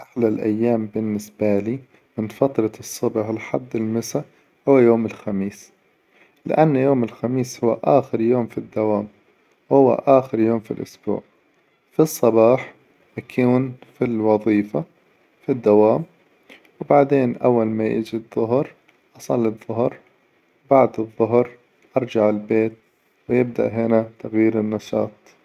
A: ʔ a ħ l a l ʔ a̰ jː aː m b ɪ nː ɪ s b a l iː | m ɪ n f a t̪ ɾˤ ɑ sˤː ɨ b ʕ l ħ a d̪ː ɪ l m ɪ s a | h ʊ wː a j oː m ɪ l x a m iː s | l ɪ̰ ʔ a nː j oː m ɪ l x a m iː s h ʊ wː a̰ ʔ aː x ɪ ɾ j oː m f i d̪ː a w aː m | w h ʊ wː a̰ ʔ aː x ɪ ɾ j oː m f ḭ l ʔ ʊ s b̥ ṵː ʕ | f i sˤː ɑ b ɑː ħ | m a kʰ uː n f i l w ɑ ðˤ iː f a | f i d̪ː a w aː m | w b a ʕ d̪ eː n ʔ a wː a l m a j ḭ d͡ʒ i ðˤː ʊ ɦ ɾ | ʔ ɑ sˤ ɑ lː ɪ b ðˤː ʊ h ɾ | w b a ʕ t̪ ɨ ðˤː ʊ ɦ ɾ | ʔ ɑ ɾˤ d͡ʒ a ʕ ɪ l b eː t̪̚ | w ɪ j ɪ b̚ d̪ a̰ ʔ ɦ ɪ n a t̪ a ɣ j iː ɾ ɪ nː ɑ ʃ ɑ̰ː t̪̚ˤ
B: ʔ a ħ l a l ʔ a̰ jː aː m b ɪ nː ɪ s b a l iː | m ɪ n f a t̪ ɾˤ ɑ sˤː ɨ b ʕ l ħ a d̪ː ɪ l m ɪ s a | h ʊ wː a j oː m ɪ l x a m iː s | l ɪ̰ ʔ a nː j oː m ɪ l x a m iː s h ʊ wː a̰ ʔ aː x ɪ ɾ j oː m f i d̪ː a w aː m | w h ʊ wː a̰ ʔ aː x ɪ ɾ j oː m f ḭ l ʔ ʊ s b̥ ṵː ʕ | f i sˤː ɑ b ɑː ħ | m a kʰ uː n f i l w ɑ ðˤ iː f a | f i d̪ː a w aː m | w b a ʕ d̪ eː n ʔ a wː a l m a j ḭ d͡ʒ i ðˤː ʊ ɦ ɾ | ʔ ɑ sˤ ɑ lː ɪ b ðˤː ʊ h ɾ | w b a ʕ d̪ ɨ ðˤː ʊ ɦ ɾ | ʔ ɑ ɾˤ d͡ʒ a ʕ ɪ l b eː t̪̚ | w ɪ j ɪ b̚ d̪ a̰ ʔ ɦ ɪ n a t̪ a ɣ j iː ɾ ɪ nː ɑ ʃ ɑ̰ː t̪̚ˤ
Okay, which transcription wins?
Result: B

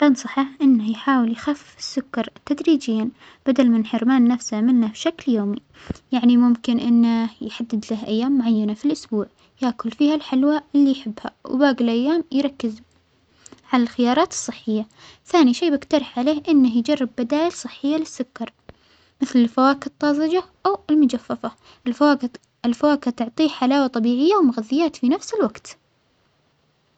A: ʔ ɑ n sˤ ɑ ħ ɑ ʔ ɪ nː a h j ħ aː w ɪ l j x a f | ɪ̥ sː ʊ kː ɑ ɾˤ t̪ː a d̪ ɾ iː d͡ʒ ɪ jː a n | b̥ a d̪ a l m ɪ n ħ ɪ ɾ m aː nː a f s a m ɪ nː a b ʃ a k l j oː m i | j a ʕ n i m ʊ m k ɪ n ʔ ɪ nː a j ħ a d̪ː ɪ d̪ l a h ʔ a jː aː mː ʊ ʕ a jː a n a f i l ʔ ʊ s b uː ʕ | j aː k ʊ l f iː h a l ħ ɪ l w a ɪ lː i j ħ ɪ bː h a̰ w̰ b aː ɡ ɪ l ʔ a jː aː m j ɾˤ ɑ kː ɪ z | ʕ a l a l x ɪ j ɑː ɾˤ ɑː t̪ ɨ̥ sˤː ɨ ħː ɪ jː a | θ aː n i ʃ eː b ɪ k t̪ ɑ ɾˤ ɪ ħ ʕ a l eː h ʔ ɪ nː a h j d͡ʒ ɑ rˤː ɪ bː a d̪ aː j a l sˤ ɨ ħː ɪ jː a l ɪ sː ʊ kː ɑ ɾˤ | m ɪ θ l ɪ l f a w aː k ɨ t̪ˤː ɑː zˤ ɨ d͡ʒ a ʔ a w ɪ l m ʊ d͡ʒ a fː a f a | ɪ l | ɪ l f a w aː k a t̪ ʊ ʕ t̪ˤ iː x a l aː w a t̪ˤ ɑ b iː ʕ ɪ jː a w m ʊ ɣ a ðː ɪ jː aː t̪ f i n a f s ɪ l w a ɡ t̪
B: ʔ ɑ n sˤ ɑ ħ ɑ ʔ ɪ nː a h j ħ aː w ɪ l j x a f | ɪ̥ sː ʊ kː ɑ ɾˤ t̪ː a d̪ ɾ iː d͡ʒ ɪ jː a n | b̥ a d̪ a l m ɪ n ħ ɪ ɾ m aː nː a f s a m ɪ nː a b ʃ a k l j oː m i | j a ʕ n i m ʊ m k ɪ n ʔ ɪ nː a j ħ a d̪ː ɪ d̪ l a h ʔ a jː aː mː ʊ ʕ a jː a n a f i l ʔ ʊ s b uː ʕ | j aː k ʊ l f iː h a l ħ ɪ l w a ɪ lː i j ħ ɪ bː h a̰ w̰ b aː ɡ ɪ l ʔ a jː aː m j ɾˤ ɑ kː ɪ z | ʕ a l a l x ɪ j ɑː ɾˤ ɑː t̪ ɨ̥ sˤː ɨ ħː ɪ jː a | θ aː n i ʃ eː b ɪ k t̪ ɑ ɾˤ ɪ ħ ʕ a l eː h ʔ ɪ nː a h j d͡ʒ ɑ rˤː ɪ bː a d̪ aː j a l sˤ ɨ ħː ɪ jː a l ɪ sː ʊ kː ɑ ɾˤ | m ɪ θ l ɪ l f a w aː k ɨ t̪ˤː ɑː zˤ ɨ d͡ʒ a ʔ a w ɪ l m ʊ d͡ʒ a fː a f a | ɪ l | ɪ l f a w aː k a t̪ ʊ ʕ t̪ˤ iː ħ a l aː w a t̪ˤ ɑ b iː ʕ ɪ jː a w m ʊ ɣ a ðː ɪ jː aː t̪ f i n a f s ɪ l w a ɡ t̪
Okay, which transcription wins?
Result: B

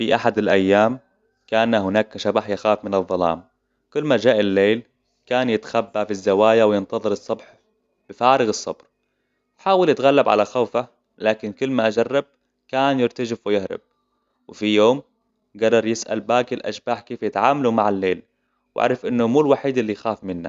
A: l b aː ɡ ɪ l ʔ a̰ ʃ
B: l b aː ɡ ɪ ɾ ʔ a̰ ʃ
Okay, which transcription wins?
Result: A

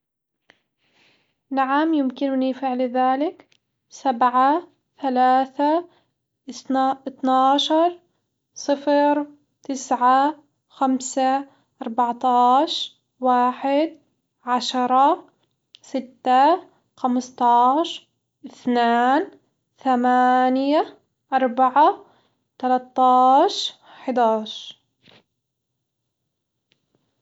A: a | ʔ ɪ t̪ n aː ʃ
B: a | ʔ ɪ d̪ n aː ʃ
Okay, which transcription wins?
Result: A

